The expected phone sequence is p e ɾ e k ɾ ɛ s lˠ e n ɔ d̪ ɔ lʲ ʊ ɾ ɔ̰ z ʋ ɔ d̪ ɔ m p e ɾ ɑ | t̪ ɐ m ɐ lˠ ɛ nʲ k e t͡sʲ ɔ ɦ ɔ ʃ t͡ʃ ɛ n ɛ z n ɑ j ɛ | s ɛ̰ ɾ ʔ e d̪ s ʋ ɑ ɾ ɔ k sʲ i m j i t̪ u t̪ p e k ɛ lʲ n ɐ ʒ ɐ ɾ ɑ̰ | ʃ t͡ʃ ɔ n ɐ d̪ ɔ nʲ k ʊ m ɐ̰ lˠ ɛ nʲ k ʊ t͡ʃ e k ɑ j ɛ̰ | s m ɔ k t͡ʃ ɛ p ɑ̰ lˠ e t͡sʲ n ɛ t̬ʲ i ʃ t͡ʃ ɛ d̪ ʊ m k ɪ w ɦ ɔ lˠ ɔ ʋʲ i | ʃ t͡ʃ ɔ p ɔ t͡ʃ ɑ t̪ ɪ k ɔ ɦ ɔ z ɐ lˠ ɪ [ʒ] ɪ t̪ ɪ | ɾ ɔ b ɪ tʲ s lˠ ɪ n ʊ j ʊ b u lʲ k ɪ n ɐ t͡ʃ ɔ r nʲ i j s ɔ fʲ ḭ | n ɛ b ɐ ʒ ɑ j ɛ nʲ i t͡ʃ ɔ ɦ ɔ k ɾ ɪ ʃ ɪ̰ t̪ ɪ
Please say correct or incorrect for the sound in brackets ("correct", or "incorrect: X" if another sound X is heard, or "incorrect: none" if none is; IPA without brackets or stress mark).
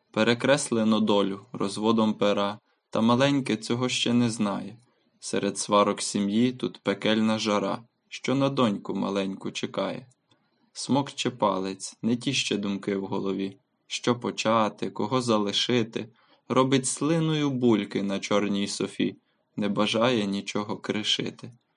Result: incorrect: ʃ